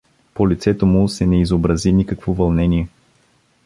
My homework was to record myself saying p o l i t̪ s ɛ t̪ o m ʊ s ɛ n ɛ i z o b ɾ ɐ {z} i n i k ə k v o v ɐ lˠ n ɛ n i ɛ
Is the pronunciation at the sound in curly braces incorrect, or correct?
correct